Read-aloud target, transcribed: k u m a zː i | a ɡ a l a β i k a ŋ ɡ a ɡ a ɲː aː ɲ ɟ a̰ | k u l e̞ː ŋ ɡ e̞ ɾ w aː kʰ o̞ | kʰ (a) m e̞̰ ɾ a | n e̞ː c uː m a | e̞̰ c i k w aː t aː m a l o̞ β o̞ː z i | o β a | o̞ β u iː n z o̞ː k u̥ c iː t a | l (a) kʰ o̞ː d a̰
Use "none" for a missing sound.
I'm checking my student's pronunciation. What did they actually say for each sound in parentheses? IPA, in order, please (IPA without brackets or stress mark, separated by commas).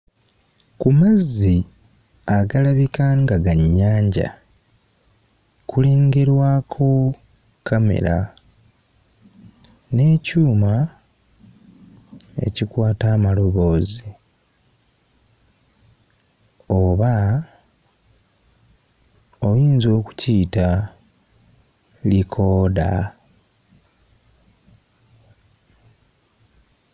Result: a, i